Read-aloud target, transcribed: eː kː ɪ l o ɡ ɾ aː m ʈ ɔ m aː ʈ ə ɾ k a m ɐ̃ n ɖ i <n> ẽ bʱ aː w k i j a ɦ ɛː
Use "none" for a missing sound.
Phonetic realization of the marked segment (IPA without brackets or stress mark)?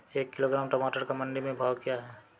m